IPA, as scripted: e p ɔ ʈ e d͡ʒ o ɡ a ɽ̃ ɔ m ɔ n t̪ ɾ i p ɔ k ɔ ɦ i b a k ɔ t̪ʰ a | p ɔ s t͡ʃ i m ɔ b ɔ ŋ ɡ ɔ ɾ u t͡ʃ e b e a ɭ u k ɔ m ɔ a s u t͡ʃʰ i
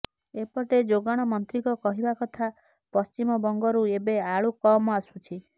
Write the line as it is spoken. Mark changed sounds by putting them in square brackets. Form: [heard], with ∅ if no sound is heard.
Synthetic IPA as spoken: e p ɔ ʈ e d͡ʒ o ɡ a ɽ̃ ɔ m ɔ n t̪ ɾ i [k] ɔ k ɔ ɦ i b a k ɔ t̪ʰ a | p ɔ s t͡ʃ i m ɔ b ɔ ŋ ɡ ɔ ɾ u [∅] e b e a ɭ u k ɔ m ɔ a s u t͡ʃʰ i